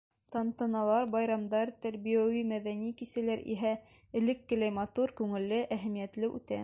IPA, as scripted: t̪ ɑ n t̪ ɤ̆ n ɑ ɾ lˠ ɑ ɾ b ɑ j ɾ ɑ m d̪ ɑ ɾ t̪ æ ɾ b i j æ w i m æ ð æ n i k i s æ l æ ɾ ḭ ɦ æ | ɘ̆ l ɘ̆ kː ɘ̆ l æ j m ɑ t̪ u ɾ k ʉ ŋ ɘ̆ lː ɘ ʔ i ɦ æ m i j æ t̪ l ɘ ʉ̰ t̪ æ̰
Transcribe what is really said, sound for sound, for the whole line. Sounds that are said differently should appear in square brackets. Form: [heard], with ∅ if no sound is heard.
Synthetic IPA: t̪ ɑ n t̪ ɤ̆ n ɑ [∅] lˠ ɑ ɾ b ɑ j ɾ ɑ m d̪ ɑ ɾ t̪ æ ɾ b i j æ w i m æ ð æ n i k i s æ l æ ɾ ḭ ɦ æ | ɘ̆ l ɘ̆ kː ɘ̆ l æ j m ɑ t̪ u ɾ k ʉ ŋ ɘ̆ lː ɘ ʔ [æ] ɦ æ m i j æ t̪ l ɘ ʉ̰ t̪ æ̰